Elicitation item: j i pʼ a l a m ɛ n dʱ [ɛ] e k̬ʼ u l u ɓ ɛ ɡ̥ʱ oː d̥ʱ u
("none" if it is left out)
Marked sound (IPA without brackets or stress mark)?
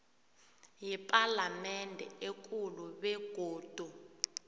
ɛ